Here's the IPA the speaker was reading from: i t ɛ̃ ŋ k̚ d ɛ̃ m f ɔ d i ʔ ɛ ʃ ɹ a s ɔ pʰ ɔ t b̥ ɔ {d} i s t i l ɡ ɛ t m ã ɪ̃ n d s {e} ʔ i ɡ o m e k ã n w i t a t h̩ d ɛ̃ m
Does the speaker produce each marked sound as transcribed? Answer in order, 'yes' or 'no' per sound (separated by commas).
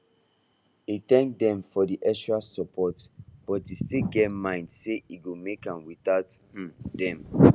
no, yes